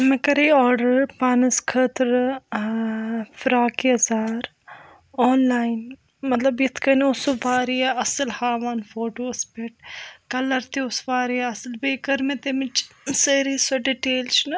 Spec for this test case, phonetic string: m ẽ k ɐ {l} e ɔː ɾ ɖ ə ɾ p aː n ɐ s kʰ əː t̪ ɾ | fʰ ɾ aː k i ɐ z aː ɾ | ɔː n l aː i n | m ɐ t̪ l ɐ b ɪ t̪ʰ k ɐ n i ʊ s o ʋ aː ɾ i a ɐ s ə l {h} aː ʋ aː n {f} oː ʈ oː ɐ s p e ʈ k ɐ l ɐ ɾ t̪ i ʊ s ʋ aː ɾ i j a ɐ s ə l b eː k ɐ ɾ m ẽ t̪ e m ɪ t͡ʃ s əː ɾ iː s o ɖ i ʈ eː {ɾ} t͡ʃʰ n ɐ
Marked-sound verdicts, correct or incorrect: incorrect: ɾ, correct, correct, incorrect: l

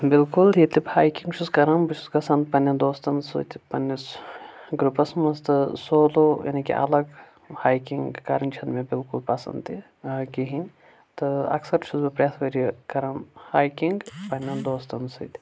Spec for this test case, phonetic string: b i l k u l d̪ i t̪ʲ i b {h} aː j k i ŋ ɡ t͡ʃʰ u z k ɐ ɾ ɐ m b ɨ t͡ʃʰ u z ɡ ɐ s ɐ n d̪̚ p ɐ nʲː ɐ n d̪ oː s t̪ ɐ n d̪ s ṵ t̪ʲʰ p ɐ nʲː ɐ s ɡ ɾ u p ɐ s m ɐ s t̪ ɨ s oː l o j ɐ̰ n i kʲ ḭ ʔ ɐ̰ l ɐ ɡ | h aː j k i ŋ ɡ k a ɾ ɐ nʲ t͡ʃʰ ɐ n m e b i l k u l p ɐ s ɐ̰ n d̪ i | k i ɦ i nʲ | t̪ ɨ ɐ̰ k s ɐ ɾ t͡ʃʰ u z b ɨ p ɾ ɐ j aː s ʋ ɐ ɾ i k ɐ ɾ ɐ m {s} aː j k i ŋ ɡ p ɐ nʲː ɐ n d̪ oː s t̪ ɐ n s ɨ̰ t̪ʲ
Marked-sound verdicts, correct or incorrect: correct, incorrect: h

